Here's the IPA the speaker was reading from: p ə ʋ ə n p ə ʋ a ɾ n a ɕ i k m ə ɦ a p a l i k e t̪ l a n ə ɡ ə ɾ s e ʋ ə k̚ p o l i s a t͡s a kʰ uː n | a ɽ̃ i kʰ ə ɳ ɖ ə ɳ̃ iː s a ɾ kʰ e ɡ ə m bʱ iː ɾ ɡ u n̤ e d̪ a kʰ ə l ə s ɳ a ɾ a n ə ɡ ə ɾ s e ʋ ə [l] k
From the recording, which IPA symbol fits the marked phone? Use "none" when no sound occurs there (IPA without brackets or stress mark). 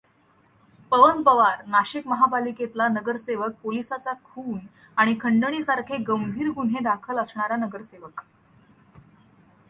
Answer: none